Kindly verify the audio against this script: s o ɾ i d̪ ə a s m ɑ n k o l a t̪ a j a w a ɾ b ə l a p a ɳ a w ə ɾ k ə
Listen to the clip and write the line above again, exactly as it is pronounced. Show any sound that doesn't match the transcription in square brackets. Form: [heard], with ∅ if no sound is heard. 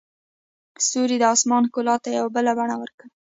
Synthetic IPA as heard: s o ɾ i d̪ ə [ɑ] s m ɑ n k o l [ɑ] t̪ a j a w a [∅] b ə l a [b] a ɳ a w ə ɾ k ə